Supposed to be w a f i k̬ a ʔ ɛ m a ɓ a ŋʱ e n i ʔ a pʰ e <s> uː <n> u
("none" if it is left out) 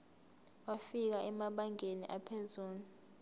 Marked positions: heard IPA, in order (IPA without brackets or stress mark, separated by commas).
z, n